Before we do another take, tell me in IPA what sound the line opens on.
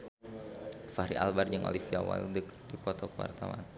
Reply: f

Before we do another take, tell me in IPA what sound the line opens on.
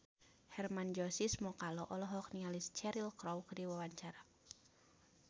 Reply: h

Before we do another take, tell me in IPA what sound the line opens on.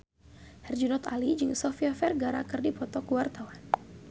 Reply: h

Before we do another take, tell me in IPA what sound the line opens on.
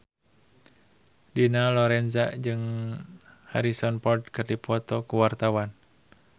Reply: d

